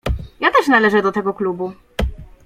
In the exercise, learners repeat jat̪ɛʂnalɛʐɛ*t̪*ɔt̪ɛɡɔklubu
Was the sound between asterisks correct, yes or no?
no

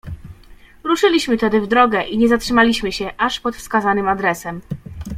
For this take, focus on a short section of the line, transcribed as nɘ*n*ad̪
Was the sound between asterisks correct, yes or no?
no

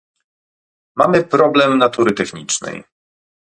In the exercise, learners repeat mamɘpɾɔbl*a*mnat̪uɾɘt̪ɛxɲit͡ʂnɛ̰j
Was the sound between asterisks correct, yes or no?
no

